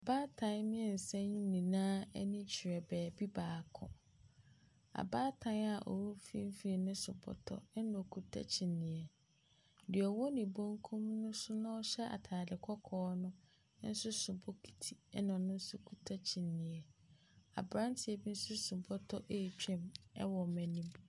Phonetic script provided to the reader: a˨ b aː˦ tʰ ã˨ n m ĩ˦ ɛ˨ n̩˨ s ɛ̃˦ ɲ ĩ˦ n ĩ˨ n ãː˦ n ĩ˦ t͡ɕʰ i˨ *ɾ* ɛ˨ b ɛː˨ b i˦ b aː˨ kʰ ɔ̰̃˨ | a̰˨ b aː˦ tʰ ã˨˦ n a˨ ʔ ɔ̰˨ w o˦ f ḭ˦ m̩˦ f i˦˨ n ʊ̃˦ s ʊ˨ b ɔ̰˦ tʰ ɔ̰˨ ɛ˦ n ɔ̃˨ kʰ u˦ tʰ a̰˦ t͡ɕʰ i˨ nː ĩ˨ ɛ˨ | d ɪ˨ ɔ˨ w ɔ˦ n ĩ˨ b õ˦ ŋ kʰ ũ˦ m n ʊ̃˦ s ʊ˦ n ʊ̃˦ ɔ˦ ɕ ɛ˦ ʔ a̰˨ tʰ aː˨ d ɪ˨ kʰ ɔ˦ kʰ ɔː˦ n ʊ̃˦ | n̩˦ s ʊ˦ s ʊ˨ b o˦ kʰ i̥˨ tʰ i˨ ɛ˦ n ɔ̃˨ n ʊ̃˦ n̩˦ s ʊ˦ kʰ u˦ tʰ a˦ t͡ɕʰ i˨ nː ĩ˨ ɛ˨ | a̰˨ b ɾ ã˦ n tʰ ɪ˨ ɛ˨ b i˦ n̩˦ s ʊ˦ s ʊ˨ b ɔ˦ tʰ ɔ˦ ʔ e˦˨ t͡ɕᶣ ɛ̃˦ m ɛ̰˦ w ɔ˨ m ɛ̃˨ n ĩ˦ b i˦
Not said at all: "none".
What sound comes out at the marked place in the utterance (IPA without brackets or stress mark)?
ɾ